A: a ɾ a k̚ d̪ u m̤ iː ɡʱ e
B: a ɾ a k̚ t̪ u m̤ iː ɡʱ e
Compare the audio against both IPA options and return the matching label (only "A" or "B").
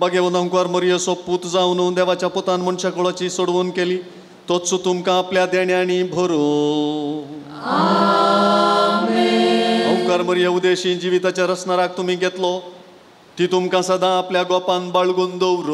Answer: B